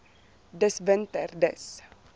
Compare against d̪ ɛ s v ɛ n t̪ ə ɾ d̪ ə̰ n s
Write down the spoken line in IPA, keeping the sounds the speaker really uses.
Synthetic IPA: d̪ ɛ s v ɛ n t̪ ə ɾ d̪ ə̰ s